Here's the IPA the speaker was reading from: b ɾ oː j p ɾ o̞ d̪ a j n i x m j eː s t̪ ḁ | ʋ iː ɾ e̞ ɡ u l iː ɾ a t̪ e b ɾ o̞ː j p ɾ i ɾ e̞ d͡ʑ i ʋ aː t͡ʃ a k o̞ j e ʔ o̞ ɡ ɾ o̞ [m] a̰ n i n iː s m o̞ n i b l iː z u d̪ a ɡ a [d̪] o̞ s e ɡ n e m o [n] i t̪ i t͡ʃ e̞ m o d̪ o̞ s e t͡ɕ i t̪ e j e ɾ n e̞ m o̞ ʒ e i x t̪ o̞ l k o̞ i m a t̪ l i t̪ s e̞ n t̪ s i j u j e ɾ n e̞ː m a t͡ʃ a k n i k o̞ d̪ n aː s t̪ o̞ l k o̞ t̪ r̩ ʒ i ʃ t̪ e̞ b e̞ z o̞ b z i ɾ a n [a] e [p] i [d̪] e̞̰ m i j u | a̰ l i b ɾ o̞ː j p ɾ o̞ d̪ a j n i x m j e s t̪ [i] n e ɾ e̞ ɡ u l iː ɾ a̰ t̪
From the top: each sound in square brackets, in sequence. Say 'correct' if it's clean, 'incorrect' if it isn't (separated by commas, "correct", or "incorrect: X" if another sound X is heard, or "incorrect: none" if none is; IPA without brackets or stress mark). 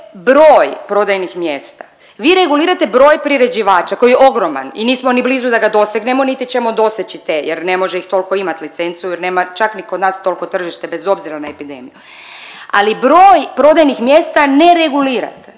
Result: correct, correct, correct, correct, correct, correct, incorrect: a